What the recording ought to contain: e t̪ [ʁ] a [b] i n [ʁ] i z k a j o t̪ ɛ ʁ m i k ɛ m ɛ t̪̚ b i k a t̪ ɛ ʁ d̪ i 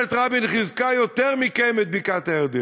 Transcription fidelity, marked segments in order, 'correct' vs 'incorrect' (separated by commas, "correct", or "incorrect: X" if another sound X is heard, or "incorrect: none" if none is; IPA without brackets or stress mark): correct, correct, incorrect: χ